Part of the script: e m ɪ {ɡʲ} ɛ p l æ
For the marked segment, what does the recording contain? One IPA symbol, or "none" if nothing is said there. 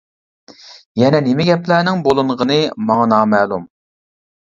ɡʲ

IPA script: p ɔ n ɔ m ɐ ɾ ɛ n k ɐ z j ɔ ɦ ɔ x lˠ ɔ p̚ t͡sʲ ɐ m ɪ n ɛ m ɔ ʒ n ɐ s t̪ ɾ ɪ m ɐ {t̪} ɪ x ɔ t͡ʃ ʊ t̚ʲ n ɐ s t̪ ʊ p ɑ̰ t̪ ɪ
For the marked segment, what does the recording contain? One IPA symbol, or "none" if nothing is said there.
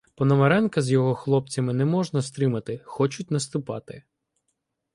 t̪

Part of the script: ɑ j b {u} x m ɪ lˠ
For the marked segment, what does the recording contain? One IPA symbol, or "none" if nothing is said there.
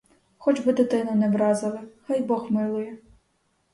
ɔ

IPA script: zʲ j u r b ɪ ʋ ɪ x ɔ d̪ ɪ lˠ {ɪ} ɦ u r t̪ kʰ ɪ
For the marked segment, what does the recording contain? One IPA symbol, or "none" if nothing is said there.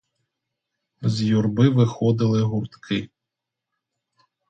ɪ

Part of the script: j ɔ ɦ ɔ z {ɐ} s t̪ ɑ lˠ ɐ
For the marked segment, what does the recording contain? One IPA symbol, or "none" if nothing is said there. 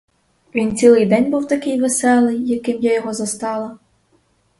ɐ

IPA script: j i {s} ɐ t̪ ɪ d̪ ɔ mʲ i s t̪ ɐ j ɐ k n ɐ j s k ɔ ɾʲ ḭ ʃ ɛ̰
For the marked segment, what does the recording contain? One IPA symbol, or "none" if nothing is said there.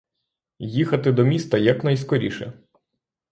x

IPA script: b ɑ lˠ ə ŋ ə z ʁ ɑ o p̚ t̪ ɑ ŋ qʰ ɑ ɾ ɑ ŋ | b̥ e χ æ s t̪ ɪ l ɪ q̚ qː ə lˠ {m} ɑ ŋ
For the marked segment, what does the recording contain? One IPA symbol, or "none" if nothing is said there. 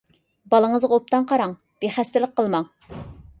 m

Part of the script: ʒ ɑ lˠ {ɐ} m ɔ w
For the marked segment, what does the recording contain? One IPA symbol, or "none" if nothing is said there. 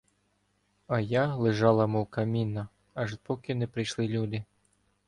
ɐ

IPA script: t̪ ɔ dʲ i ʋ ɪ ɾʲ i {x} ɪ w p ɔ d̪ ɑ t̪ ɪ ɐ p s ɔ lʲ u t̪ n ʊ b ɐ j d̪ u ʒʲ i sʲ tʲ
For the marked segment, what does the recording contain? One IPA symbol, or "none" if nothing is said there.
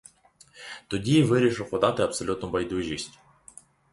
ʃ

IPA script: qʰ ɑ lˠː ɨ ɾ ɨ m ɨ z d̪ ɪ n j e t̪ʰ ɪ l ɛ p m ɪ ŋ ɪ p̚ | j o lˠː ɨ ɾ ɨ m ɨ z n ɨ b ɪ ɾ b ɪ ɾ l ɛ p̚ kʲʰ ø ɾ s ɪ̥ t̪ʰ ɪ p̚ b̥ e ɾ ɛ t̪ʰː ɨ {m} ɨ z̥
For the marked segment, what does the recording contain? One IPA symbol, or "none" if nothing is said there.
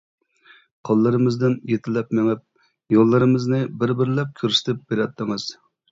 ŋ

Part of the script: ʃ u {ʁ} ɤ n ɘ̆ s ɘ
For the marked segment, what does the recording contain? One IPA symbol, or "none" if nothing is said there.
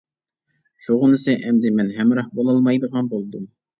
ʁ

